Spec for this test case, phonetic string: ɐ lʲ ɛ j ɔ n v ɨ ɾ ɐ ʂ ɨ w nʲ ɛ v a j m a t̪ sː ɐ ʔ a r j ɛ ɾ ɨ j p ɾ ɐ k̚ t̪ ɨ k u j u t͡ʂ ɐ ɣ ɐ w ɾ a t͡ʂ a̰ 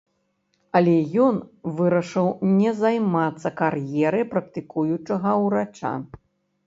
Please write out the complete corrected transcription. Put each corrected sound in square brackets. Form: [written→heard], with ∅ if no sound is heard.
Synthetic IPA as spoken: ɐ lʲ ɛ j ɔ n v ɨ ɾ ɐ ʂ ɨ w nʲ ɛ [v→z] a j m a t̪ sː ɐ [ʔ→k] a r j ɛ ɾ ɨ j p ɾ ɐ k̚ t̪ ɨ k u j u t͡ʂ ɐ ɣ ɐ w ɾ a t͡ʂ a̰